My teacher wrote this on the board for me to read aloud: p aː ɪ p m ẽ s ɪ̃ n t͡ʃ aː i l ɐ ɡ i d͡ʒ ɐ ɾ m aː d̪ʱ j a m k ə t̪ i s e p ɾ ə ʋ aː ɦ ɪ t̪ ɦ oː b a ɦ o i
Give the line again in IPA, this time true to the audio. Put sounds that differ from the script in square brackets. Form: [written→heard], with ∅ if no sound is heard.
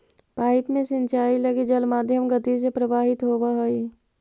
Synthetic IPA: p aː ɪ p m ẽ s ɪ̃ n t͡ʃ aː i l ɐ ɡ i d͡ʒ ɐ [ɾ→l] m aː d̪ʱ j [a→ə] m [k→ɡ] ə t̪ i s e p ɾ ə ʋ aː ɦ ɪ t̪ ɦ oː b a ɦ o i